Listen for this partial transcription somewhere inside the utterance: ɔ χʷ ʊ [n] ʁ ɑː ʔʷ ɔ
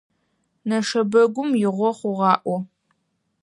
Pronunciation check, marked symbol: incorrect: none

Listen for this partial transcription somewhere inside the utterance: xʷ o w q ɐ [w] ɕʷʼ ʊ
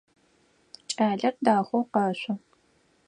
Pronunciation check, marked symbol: incorrect: none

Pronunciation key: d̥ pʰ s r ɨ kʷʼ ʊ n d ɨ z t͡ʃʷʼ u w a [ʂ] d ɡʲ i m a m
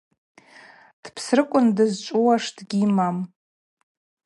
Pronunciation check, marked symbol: correct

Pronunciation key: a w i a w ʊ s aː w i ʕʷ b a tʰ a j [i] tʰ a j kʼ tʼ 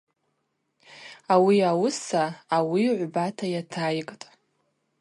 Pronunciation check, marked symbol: incorrect: a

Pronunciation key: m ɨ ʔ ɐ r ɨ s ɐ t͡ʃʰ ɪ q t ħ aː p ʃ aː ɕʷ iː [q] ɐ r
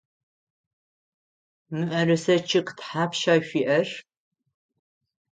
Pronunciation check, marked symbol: incorrect: ʔ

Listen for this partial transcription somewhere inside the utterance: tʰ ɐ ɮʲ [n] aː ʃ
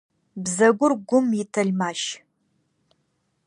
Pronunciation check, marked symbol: incorrect: m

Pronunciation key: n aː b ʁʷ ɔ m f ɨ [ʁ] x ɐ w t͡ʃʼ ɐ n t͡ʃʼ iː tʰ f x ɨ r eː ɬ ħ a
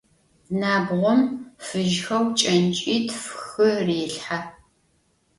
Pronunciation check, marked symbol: incorrect: ʒ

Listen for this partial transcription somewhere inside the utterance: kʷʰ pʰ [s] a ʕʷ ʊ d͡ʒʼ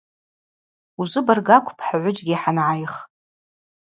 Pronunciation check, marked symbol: incorrect: ħ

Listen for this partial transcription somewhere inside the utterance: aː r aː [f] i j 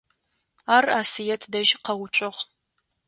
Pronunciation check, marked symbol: incorrect: s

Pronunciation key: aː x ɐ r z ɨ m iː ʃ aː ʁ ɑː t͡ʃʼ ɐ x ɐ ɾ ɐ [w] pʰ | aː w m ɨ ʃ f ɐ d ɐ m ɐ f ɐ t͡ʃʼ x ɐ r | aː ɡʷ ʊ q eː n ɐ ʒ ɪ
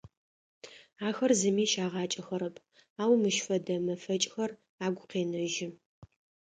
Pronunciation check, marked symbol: incorrect: none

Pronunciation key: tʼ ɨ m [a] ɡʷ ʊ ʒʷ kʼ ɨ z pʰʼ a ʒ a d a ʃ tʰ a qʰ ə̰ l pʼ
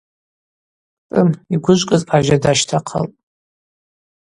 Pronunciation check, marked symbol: incorrect: i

